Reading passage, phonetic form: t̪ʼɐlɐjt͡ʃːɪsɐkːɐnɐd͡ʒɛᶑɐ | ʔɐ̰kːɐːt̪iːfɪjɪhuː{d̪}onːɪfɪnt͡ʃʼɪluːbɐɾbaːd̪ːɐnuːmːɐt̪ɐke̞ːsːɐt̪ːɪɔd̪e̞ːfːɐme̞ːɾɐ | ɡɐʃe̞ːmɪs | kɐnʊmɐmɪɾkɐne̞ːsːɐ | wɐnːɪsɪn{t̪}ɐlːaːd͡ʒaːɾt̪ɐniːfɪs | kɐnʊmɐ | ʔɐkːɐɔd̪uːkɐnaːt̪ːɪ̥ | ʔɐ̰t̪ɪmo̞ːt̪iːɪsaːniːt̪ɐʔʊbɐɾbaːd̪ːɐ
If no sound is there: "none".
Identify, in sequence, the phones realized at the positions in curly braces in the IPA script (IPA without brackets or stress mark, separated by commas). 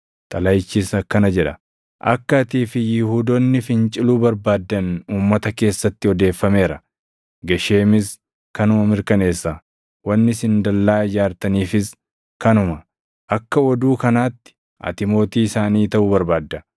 d̪, d̪